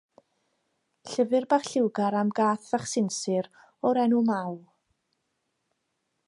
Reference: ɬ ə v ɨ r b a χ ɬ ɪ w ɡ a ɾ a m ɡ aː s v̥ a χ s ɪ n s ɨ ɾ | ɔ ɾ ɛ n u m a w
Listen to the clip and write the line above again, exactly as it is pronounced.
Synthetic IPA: ɬ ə v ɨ r b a χ ɬ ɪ w ɡ a ɾ a m ɡ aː θ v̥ a χ s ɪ n s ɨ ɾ | ɔ ɾ ɛ n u m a w

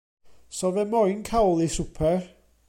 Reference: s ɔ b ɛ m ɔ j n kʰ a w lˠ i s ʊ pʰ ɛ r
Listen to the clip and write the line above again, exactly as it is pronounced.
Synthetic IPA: s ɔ v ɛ m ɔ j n kʰ a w lˠ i s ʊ pʰ ɛ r

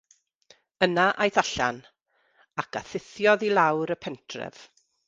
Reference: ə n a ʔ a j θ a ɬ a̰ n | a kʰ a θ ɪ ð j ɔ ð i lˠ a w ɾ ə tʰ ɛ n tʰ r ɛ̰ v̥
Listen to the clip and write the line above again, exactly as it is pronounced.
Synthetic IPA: ə n a ʔ a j θ a ɬ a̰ n | a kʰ a θ ɪ θ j ɔ ð i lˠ a w ɾ ə pʰ ɛ n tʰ r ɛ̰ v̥

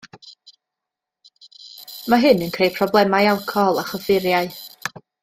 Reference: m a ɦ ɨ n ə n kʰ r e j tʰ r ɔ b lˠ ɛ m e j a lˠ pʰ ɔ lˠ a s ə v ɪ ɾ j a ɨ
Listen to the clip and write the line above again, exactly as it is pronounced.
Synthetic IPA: m a ɦ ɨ n ə n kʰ r e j pʰ r ɔ b lˠ ɛ m a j a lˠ kʰ ɔ lˠ a χ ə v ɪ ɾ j a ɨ

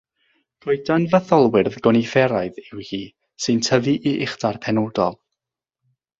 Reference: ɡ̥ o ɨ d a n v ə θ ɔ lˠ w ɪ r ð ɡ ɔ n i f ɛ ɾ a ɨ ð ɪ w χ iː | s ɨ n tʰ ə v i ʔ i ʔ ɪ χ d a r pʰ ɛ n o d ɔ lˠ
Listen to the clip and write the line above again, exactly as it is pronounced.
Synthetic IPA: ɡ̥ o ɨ d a n v ə θ ɔ lˠ w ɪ r ð ɡ ɔ n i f ɛ ɾ a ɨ ð ɪ w h iː | s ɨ n tʰ ə v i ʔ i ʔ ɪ χ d a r pʰ ɛ n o d ɔ lˠ

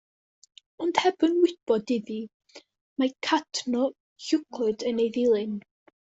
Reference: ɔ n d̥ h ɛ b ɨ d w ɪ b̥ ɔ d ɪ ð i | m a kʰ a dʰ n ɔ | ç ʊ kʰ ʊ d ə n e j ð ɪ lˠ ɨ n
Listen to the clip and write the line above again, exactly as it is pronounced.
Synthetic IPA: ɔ n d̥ h ɛ b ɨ n w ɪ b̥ ɔ d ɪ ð i | m a kʰ a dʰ n ɔ | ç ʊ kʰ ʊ d ə n e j ð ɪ lˠ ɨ n

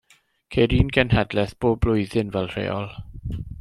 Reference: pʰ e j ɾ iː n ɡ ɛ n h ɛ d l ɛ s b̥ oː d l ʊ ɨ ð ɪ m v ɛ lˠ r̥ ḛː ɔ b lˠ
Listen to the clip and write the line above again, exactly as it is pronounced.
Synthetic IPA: kʰ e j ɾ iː n ɡ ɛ n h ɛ d l ɛ θ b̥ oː b l ʊ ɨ ð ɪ n v ɛ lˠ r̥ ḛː ɔ lˠ

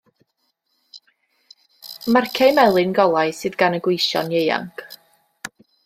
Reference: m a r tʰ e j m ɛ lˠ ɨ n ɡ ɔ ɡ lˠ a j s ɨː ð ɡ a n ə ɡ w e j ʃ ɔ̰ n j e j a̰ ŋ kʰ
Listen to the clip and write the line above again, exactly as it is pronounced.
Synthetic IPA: m a r kʰ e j m ɛ lˠ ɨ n ɡ ɔ lˠ a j s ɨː ð ɡ a n ə ɡ w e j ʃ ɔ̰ n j e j a̰ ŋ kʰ

